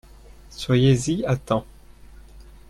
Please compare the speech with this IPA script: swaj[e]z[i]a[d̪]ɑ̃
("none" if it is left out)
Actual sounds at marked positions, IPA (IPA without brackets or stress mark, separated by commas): e, i, t̪